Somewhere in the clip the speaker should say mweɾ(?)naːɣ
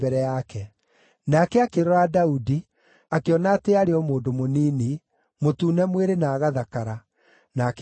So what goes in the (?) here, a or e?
e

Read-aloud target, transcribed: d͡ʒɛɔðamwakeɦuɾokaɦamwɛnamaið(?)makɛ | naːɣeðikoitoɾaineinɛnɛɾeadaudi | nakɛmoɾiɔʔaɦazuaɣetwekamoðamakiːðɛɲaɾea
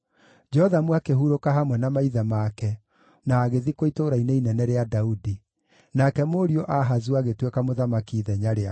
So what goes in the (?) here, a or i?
a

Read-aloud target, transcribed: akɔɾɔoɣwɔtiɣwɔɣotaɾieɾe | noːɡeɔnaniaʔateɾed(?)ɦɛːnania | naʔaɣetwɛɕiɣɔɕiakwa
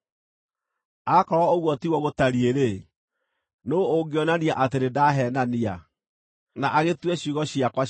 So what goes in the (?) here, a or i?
a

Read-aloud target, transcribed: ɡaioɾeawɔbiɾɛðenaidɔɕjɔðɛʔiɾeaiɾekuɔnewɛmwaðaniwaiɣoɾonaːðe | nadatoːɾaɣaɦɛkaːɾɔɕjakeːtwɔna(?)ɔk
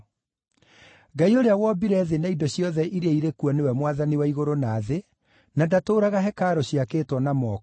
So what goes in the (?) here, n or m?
m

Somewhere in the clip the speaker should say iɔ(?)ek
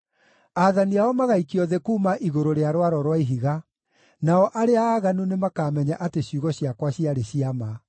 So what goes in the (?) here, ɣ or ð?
ð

